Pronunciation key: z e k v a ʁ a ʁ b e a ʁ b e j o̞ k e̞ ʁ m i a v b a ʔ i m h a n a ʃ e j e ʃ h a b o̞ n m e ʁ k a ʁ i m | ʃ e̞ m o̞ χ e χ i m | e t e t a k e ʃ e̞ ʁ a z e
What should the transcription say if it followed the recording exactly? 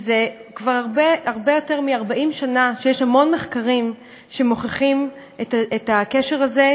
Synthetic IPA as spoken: z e k v a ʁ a ʁ b e a ʁ b e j o̞ t e̞ ʁ m i a ʁ b a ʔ i m ʃ a n a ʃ e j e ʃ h a m o̞ n m e χ k a ʁ i m | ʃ e̞ m o̞ χ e χ i m | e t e t a k e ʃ e̞ ʁ a z e